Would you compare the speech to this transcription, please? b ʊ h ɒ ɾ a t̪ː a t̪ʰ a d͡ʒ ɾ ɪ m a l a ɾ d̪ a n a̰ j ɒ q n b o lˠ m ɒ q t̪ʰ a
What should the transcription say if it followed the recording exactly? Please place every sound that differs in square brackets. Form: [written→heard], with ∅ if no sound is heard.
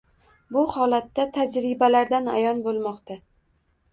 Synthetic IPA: b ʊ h ɒ [ɾ→l] a t̪ː a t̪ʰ a d͡ʒ ɾ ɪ [m→b] a l a ɾ d̪ a n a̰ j ɒ [q→∅] n b o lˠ m ɒ q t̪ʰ a